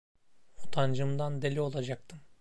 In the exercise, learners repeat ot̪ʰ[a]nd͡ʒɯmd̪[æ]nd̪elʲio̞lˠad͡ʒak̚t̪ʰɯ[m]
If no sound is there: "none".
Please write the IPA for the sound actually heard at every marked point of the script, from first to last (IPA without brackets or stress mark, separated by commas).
a, a, m